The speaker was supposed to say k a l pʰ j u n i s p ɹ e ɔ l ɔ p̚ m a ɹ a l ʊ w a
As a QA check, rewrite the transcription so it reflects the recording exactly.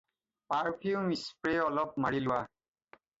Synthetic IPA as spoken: p a ɹ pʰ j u m i s p ɹ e ɔ l ɔ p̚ m a ɹ i l ʊ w a